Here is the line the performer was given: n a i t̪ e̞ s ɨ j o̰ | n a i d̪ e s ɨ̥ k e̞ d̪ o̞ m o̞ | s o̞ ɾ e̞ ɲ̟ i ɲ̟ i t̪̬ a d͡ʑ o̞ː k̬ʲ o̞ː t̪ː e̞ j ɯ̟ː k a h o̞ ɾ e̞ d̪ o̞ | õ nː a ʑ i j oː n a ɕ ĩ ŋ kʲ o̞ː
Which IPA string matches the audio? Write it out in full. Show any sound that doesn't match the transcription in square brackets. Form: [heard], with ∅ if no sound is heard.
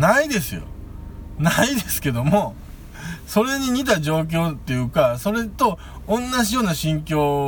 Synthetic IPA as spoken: n a i [d̪] e̞ s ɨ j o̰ | n a i d̪ e s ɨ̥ k e̞ d̪ o̞ m o̞ | s o̞ ɾ e̞ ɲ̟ i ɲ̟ i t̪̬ a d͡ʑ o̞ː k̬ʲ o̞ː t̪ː e̞ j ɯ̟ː k a [s] o̞ ɾ e̞ [t̪] o̞ | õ nː a ʑ i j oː n a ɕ ĩ ŋ kʲ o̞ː